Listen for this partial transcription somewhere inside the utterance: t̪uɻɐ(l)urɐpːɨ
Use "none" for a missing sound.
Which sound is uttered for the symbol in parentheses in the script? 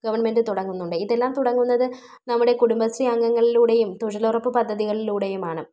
l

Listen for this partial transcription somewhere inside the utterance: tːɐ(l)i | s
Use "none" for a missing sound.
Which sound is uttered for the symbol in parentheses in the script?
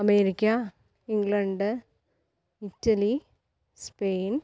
l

